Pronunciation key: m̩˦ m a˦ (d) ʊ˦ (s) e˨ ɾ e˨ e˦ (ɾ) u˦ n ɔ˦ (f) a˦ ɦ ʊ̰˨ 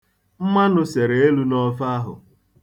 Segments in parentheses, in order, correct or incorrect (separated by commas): incorrect, correct, incorrect, correct